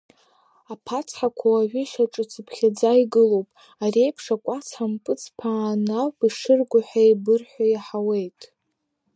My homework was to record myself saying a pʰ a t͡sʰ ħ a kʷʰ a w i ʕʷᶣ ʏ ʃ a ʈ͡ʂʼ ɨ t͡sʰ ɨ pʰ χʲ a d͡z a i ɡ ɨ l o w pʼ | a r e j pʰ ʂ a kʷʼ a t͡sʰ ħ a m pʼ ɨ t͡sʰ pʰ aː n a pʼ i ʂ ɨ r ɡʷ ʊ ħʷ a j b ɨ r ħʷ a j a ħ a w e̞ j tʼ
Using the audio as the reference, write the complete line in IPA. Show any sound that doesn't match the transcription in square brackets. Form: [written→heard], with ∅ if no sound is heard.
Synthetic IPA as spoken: a pʰ a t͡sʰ ħ a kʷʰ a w [i→a] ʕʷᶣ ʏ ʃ a ʈ͡ʂʼ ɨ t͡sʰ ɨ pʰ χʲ a d͡z a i ɡ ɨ l o w pʼ | a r e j pʰ ʂ a kʷʼ a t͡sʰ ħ a m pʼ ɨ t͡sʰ pʰ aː n a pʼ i ʂ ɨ r ɡʷ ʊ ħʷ a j b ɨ r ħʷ a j a ħ a w e̞ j tʼ